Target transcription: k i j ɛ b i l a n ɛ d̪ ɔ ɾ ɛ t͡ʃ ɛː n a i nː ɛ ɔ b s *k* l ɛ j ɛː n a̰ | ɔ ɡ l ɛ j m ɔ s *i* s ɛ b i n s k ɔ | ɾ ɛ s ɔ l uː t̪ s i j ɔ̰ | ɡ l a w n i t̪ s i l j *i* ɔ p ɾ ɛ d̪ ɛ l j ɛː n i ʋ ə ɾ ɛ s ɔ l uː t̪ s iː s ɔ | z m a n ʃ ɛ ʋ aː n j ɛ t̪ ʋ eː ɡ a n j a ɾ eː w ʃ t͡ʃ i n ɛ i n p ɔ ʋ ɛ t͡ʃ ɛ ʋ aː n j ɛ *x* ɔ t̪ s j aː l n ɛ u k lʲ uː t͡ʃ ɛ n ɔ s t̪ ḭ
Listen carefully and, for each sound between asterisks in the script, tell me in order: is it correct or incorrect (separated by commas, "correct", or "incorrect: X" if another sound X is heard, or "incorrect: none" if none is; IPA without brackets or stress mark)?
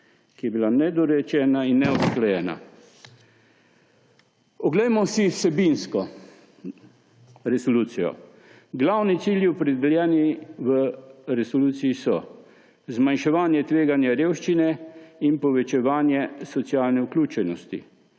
correct, correct, correct, incorrect: s